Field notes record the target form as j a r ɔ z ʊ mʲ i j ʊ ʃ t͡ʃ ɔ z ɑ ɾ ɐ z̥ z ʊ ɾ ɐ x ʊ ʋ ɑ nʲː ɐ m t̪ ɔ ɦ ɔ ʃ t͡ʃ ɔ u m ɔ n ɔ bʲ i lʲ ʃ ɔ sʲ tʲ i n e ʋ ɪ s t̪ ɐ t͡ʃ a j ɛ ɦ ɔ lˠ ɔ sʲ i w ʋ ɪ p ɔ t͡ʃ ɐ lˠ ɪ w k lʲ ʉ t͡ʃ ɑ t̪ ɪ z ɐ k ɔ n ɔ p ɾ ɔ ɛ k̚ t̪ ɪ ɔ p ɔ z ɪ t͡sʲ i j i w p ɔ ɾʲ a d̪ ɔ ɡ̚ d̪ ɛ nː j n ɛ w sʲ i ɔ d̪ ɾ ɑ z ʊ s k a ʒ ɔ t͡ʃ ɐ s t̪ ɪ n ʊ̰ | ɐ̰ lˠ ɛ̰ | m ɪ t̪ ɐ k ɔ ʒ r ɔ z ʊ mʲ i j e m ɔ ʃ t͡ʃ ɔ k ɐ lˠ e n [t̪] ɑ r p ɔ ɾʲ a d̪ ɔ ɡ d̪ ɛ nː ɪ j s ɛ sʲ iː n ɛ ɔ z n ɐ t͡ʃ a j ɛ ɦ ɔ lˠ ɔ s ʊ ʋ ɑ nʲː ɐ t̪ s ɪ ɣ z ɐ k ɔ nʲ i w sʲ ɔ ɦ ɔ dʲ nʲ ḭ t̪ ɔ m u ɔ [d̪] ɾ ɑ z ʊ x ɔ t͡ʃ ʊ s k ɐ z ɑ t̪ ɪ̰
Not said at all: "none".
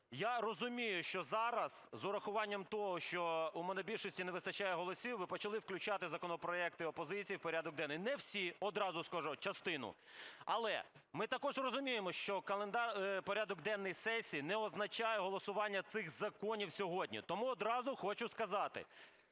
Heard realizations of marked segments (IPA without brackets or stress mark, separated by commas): d̪, d̪